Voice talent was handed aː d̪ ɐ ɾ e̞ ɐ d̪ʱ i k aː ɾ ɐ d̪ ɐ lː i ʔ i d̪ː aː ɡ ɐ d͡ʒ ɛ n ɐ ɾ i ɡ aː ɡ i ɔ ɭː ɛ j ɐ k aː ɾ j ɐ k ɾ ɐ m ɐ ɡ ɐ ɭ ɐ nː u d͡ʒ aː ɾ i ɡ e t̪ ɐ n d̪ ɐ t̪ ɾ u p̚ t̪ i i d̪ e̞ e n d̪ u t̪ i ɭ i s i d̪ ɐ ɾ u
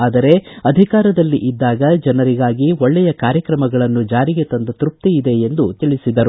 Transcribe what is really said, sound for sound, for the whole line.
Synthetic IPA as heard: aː d̪ ɐ ɾ e̞ ɐ d̪ʱ i k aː ɾ ɐ d̪ ɐ lː i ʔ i d̪ː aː ɡ ɐ d͡ʒ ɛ n ɐ ɾ i ɡ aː ɡ i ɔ ɭː ɛ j ɐ k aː ɾ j ɐ k ɾ ɐ m ɐ ɡ ɐ ɭ ɐ nː u d͡ʒ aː ɾ i ɡ e t̪ ɐ n d̪ ɐ t̪ ɾ u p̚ t̪ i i d̪ e̞ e n d̪ u t̪ i ɭ i s i d̪ ɐ ɾ u